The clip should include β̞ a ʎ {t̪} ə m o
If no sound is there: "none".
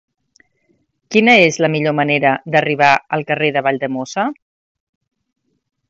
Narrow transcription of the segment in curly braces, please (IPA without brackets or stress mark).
d̪